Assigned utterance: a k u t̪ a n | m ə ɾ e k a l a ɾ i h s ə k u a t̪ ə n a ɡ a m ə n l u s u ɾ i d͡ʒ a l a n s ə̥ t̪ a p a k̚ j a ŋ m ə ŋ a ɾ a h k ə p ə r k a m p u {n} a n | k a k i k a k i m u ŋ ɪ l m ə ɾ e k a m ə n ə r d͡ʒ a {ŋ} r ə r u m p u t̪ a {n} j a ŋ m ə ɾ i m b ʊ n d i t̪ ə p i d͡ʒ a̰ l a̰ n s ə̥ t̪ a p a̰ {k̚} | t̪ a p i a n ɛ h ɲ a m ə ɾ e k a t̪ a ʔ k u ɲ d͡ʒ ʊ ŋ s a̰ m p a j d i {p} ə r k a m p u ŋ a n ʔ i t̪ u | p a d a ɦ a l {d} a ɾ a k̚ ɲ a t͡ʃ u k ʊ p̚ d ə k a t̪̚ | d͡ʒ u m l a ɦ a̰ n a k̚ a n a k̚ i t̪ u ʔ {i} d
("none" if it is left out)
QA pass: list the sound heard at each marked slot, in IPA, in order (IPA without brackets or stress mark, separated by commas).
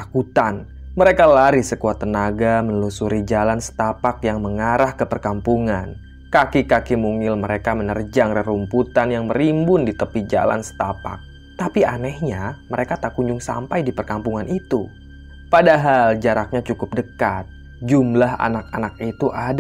ŋ, ŋ, n, k̚, p, d͡ʒ, a